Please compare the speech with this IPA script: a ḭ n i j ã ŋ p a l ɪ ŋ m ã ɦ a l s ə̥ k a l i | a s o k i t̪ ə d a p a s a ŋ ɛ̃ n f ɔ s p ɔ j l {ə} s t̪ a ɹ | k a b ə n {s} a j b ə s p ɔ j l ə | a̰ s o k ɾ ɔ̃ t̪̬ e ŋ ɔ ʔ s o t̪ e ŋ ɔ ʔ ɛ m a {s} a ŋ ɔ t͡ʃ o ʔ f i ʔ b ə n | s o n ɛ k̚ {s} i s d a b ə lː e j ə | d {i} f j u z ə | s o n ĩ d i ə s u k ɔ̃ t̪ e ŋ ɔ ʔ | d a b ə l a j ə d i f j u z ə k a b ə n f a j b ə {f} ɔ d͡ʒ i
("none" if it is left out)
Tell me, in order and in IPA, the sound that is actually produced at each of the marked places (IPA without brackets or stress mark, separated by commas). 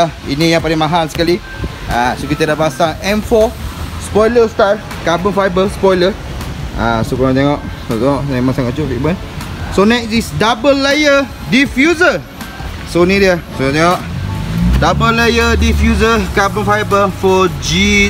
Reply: ə, f, s, s, i, f